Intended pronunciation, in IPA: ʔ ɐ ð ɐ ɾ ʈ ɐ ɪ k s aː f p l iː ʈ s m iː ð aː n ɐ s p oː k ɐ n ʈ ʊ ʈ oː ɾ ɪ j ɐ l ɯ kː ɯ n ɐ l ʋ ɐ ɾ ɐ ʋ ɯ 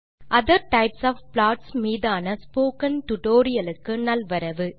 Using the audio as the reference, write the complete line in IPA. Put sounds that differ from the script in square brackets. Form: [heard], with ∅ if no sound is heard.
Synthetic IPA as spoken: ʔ ɐ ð ɐ ɾ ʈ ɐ ɪ [p] s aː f p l [aː] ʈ s m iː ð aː n ɐ s p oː k ɐ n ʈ ʊ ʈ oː ɾ ɪ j ɐ l ɯ kː ɯ n ɐ l ʋ ɐ ɾ ɐ ʋ ɯ

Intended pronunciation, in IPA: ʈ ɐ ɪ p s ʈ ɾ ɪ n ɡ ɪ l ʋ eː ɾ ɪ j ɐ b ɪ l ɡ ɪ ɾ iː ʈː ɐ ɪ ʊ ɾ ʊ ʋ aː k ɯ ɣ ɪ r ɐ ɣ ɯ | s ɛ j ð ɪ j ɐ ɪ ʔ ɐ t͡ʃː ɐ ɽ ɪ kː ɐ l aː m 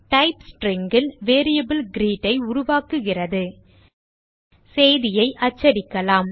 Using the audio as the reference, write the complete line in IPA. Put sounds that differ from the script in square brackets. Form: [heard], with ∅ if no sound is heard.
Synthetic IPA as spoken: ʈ ɐ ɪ p s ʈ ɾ ɪ [ŋ] ɡ ɪ l ʋ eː ɾ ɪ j ɐ b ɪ l ɡ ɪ ɾ iː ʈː ɐ ɪ ʊ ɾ ʊ ʋ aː k ɯ ɣ ɪ r ɐ [ð] ɯ | s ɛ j ð ɪ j ɐ ɪ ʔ ɐ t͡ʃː ɐ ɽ ɪ kː ɐ l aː m

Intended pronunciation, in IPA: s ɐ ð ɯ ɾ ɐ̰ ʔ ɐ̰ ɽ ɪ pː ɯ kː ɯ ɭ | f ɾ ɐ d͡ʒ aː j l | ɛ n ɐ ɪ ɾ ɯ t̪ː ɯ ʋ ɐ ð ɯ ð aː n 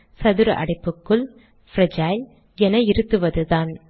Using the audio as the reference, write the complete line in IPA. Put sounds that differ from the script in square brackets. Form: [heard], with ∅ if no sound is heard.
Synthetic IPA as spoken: s ɐ ð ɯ ɾ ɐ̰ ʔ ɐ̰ ɽ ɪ pː ɯ kː ɯ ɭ | f ɾ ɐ d͡ʒ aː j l | ɛ n ɐ ɪ ɾ ɯ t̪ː ɯ ʋ ɐ ð ɯ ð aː n

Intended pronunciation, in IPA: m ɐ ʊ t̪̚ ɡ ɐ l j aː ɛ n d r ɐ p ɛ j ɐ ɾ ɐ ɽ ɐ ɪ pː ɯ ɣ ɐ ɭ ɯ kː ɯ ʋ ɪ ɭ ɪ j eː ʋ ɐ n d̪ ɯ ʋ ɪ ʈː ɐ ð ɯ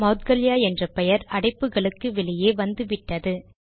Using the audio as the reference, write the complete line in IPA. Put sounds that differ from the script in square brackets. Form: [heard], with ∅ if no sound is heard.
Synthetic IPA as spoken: m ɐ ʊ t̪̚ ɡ ɐ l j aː ɛ n d r ɐ p ɛ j ɐ ɾ ɐ ɽ ɐ ɪ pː ɯ ɣ ɐ ɭ ɯ kː ɯ ʋ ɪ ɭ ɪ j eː ʋ ɐ n d̪ ɯ ʋ ɪ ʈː ɐ ð ɯ

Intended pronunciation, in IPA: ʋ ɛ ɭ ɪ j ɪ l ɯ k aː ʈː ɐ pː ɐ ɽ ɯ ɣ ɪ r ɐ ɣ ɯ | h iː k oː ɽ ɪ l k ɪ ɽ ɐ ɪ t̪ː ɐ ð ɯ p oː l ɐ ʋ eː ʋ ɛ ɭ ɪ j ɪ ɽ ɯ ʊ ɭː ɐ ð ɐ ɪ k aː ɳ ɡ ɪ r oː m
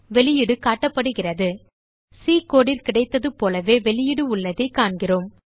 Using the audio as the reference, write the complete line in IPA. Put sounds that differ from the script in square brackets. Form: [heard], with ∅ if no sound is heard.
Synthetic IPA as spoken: ʋ ɛ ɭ ɪ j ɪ [ɽ] ɯ k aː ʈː ɐ pː ɐ ɽ ɯ ɣ ɪ r ɐ [ð] ɯ | [s] iː k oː ɽ ɪ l k ɪ ɽ ɐ ɪ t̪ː ɐ ð ɯ p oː l ɐ ʋ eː ʋ ɛ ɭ ɪ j ɪ ɽ ɯ ʊ ɭː ɐ ð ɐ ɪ k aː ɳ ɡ ɪ r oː m

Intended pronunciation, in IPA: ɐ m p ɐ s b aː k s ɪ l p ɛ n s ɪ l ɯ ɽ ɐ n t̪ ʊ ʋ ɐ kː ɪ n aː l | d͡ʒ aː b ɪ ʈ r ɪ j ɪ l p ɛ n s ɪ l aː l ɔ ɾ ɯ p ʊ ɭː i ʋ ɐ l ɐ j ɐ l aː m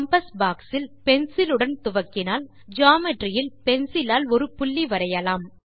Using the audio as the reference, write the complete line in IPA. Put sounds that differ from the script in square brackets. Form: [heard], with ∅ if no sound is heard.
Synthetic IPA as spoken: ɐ m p ɐ s b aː k s ɪ l p ɛ n s ɪ l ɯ ɽ ɐ n t̪ ʊ ʋ ɐ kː ɪ n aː l | d͡ʒ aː [m] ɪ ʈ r ɪ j ɪ l p ɛ n s ɪ l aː l ɔ ɾ ɯ p ʊ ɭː i ʋ ɐ [ɾ] ɐ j ɐ l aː m

